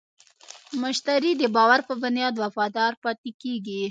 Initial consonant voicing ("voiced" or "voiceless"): voiced